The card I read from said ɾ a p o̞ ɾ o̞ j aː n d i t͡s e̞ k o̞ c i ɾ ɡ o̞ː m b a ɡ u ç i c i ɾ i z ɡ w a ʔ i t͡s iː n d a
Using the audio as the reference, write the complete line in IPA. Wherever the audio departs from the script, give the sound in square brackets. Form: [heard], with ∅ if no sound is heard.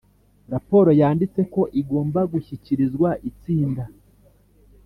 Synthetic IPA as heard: ɾ a p o̞ ɾ o̞ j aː n d i t͡s e̞ k o̞ [ʔ] i [∅] ɡ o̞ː m b a ɡ u ç i c i ɾ i z ɡ w a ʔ i t͡s iː n d a